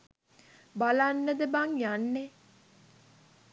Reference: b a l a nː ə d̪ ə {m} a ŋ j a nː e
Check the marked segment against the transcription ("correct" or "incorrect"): incorrect